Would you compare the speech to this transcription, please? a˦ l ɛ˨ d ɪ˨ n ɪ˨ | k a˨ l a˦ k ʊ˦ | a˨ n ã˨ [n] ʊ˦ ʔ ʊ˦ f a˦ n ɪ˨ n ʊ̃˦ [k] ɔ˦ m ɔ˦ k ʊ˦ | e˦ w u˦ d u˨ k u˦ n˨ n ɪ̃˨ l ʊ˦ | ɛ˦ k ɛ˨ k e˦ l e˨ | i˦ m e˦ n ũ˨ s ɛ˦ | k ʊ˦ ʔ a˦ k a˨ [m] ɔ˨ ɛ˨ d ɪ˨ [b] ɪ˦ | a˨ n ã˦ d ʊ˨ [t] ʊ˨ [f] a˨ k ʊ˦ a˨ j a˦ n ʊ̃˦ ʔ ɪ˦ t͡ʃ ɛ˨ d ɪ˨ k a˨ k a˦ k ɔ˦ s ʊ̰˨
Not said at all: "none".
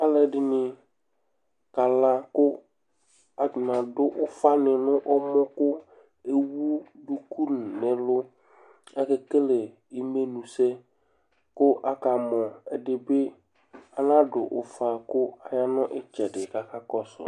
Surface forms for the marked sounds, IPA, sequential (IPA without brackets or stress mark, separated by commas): d, ʔ, m, b, ʔ, f